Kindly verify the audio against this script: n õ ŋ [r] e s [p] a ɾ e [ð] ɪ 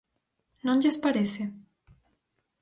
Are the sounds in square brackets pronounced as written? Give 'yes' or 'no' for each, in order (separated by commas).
no, yes, no